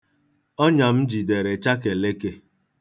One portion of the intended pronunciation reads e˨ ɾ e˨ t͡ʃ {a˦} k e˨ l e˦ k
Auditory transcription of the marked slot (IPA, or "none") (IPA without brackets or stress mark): a˦